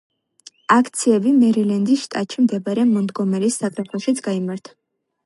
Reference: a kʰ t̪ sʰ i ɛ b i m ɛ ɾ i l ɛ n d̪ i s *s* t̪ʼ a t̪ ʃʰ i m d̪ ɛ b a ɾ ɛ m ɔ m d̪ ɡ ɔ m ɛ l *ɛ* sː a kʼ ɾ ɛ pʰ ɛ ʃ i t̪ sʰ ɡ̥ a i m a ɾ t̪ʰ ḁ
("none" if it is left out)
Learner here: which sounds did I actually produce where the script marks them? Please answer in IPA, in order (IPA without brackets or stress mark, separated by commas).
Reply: ʃ, i